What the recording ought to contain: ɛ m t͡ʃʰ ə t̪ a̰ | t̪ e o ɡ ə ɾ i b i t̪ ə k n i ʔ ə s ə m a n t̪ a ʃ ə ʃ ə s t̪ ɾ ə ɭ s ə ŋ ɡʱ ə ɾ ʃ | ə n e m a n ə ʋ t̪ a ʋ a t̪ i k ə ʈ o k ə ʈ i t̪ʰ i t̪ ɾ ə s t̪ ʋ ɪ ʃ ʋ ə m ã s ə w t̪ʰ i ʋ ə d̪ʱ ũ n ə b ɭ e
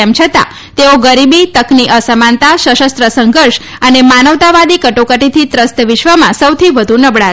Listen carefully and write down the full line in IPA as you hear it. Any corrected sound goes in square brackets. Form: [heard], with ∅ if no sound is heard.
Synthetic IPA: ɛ m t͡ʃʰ ə t̪ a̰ | t̪ e o ɡ ə ɾ i b i t̪ ə k n i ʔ ə s ə m a n t̪ a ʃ ə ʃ ə s t̪ ɾ ə [∅] s ə ŋ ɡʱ ə ɾ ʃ | ə n e m a n ə ʋ t̪ a ʋ a [d̪] i k ə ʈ o k ə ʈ i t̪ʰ i t̪ ɾ ə s t̪ ʋ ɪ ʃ ʋ ə m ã s ə w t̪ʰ i ʋ ə d̪ʱ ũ n ə b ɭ [a]

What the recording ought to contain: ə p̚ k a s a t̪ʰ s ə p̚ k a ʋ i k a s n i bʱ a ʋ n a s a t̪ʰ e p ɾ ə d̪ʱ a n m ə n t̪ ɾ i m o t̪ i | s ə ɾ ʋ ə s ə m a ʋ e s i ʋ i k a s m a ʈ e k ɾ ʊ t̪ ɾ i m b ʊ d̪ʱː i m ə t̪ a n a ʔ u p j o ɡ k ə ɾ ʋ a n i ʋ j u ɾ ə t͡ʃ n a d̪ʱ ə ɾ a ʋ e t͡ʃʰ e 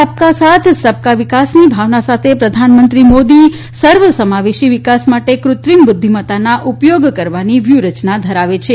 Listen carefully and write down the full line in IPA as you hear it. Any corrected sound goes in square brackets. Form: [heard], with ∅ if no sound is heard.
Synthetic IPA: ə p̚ k a s a t̪ʰ s ə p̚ k a ʋ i k a s n i bʱ a ʋ n a s a t̪ʰ e p ɾ ə d̪ʱ a n m ə n t̪ ɾ i m o [d̪] i | s ə ɾ ʋ ə s ə m a ʋ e [ʃ] i ʋ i k a s m a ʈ e k ɾ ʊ t̪ ɾ i m b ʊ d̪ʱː i m ə t̪ a n a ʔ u p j o ɡ k ə ɾ ʋ a n i ʋ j u ɾ ə t͡ʃ n a d̪ʱ ə ɾ a ʋ e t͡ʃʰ e

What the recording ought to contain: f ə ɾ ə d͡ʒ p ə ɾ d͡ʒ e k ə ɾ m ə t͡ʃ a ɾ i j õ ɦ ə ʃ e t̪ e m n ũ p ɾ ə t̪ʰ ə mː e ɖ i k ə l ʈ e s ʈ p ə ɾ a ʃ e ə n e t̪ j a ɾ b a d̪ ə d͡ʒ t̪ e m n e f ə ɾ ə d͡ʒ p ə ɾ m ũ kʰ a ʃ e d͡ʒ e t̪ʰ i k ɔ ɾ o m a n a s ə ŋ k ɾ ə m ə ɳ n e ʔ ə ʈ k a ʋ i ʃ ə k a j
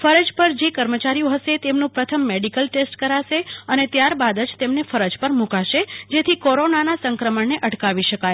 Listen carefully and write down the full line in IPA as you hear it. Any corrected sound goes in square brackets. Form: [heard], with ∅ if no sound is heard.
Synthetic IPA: f ə ɾ ə d͡ʒ p ə ɾ d͡ʒ e k ə ɾ m ə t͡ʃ a ɾ i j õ ɦ ə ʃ e t̪ e m n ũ p ɾ ə t̪ʰ ə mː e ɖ i k ə l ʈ e s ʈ [k] ə ɾ a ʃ e ə n e t̪ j a ɾ b a d̪ ə d͡ʒ t̪ e m n e f ə ɾ ə d͡ʒ p ə ɾ m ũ [k] a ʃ e d͡ʒ e t̪ʰ i k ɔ ɾ o [n] a n a s ə ŋ k ɾ ə m ə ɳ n e ʔ ə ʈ k a ʋ i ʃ ə k a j

